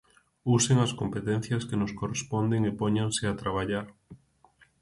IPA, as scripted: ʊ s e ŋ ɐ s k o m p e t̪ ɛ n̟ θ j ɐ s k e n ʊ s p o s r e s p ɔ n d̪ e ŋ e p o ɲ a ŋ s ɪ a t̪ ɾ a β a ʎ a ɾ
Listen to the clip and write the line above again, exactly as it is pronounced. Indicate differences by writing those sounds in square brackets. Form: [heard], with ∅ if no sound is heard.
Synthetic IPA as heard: [u] s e ŋ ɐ s k o m p e t̪ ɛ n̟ θ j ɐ s k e n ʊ s [k] o [∅] r e s p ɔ n d̪ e ŋ e p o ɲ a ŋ s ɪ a t̪ ɾ a β a ʎ a ɾ